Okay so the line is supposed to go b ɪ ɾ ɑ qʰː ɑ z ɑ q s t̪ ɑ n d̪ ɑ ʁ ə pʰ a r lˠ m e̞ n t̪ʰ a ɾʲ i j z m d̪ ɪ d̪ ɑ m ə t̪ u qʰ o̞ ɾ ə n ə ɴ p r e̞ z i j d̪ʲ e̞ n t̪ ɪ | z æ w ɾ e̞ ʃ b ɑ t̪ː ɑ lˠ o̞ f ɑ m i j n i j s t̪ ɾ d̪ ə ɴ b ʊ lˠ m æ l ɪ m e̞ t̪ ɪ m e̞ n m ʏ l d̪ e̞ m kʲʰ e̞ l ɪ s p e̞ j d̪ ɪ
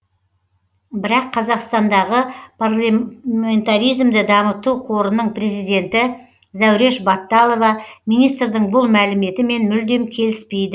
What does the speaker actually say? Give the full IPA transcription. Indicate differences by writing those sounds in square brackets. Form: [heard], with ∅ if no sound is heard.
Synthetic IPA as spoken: b ɪ ɾ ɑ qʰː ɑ z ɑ q s t̪ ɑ n d̪ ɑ ʁ ə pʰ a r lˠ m e̞ n [t̪] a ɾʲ i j z m d̪ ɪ d̪ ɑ m ə t̪ u qʰ o̞ ɾ ə n ə ɴ p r e̞ z i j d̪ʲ e̞ n t̪ ɪ | z æ w ɾ e̞ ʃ b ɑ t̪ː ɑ lˠ o̞ [v] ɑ m i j n i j s t̪ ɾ d̪ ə ɴ b ʊ lˠ m æ l ɪ m e̞ t̪ ɪ m e̞ n m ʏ l d̪ e̞ m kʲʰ e̞ l ɪ s p e̞ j d̪ ɪ